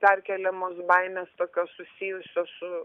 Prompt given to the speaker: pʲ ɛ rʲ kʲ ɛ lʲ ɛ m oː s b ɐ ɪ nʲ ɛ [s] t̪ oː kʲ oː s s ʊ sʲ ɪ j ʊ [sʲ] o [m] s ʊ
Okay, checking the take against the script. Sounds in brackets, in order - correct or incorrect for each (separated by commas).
correct, correct, incorrect